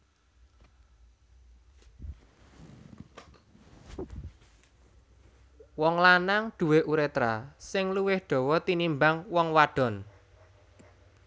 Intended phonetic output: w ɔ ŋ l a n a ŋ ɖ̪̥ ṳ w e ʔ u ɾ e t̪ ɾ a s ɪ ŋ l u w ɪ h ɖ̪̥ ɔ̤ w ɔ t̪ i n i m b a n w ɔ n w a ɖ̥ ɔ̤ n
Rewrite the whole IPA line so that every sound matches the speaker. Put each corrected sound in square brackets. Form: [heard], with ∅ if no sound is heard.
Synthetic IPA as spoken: w ɔ ŋ l a n a ŋ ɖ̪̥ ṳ w e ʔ u ɾ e t̪ ɾ a s ɪ ŋ l u w ɪ h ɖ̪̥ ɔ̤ w ɔ t̪ i n i m b a [ŋ] w ɔ [ŋ] w a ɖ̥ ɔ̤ n